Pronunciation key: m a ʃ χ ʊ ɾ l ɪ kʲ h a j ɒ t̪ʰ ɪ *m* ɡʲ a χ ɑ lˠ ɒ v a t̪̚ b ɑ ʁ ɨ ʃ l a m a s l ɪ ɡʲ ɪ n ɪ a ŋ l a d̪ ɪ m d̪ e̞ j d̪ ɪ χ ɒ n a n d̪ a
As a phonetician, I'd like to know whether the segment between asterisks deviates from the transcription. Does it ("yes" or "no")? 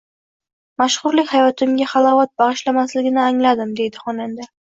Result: no